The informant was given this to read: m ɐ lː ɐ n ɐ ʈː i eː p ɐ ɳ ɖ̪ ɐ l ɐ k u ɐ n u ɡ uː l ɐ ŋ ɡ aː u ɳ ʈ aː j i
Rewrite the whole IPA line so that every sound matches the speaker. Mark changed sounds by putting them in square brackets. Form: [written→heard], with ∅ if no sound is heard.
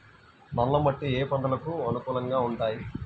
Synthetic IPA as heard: [m→n] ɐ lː ɐ [n→m] ɐ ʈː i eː p ɐ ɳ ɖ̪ ɐ l ɐ k u ɐ n u [ɡ→k] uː l ɐ ŋ ɡ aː u ɳ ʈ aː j i